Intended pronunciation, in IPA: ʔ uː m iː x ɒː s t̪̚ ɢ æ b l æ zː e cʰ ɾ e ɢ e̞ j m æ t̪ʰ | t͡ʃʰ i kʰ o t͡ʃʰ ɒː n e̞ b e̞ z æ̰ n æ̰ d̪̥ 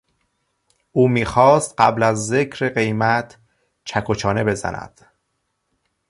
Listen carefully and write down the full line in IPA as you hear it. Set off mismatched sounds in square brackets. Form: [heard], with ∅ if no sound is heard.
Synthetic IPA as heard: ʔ uː m iː x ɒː s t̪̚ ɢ æ b l æ zː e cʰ ɾ e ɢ e̞ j m æ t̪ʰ | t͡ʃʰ [æ] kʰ o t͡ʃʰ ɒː n e̞ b e̞ z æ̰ n æ̰ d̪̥